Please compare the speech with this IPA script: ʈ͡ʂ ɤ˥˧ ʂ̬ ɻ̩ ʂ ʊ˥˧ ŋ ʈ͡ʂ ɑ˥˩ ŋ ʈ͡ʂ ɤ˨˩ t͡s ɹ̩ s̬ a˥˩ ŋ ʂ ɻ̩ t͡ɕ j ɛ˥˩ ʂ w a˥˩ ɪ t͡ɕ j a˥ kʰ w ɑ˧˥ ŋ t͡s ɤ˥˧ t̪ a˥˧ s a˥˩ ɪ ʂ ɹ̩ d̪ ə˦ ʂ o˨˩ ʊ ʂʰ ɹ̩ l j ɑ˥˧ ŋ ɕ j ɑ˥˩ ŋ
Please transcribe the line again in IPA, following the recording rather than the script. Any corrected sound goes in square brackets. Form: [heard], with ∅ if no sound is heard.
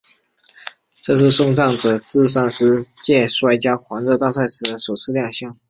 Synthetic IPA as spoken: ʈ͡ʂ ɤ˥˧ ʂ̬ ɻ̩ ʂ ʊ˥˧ ŋ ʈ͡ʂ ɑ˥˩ ŋ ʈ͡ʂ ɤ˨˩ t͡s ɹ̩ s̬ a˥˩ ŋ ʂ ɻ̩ t͡ɕ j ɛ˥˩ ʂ w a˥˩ ɪ t͡ɕ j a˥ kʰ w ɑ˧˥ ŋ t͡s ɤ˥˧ t̪ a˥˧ s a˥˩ ɪ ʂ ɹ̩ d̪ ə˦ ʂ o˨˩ ʊ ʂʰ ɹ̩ l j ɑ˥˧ ŋ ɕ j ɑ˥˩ ŋ